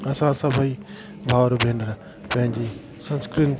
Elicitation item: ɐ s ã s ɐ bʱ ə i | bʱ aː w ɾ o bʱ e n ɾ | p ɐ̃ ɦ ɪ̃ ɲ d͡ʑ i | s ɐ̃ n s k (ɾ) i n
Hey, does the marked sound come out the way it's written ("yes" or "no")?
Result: yes